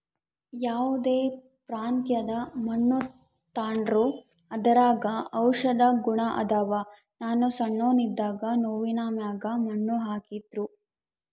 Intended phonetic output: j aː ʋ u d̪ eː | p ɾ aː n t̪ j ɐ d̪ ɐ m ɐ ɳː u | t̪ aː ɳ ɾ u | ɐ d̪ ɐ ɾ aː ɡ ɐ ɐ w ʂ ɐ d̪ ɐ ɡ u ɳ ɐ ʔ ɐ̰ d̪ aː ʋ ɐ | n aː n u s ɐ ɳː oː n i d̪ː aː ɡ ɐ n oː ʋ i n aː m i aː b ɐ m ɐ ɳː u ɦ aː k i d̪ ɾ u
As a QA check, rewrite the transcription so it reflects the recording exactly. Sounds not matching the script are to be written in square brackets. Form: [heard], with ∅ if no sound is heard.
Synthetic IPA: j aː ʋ u d̪ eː | p ɾ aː n t̪ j ɐ d̪ ɐ m ɐ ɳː u | t̪ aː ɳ ɾ u | ɐ d̪ ɐ ɾ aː ɡ ɐ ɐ w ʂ ɐ d̪ ɐ ɡ u ɳ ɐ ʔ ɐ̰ d̪ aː ʋ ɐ | n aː n u s ɐ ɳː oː n i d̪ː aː ɡ ɐ n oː ʋ i n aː m [j] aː [ɡ] ɐ m ɐ ɳː u ɦ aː k i d̪ ɾ u